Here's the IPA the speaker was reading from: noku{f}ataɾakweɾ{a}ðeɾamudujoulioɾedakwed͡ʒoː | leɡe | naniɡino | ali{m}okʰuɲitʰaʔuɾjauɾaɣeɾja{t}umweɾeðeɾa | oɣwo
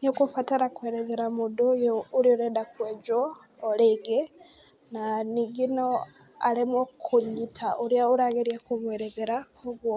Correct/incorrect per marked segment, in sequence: correct, incorrect, correct, incorrect

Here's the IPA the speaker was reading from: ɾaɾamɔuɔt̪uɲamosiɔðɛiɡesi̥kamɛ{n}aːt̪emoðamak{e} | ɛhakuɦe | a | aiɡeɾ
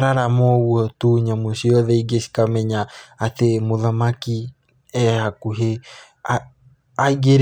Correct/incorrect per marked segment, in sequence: incorrect, incorrect

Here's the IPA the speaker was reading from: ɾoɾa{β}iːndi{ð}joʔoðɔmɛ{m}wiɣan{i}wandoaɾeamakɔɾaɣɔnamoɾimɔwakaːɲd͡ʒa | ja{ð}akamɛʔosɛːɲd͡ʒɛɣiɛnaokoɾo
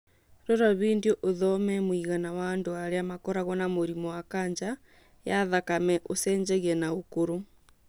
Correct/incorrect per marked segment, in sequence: correct, incorrect, correct, incorrect, correct

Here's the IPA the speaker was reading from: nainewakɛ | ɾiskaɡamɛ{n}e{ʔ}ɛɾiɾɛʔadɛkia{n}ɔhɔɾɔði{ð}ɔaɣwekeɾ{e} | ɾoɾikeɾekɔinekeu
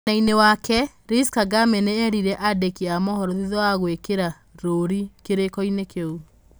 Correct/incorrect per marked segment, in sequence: correct, incorrect, incorrect, correct, incorrect

